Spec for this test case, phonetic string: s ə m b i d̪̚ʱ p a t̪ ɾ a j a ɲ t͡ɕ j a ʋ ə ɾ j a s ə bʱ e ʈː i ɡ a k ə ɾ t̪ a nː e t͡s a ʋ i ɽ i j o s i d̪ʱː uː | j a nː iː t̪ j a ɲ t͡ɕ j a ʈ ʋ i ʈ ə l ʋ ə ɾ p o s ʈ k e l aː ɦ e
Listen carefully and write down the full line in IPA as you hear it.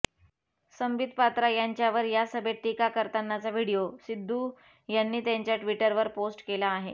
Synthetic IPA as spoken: s ə m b i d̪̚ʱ p a t̪ ɾ a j a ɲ t͡ɕ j a ʋ ə ɾ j a s ə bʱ e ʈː i k a k ə ɾ t̪ a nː a t͡s a ʋ i ɽ i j o s i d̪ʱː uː | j a nː iː t̪ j a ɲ t͡ɕ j a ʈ ʋ i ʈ ə ɾ ʋ ə ɾ p o s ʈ k e l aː ɦ e